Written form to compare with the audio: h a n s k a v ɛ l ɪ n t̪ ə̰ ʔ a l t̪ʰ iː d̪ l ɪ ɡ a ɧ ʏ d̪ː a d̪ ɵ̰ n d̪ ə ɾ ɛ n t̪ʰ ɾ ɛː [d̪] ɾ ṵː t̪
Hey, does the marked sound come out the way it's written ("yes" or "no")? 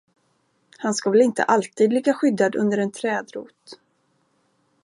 yes